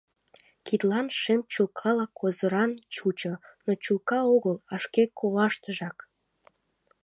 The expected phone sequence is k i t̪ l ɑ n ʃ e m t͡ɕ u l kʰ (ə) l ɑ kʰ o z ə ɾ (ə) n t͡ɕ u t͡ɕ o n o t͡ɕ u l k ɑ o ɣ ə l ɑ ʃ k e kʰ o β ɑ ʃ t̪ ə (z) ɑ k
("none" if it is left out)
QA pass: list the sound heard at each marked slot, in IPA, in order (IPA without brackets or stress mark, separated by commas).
ɑ, ɑ, ʒ